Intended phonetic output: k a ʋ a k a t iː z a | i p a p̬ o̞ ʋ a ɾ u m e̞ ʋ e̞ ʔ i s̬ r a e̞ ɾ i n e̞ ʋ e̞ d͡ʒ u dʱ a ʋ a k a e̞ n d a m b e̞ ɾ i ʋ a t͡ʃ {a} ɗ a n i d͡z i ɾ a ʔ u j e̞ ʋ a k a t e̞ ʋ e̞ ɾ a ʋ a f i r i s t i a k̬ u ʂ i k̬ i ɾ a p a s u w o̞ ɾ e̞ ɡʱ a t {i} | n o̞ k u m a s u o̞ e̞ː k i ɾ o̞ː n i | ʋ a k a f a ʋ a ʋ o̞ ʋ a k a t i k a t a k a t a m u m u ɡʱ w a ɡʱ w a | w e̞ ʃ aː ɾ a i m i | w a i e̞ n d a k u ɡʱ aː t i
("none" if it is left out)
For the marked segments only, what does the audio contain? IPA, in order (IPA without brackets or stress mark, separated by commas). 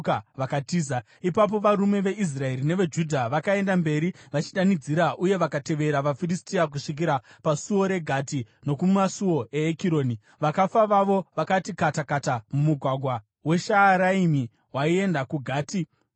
i, i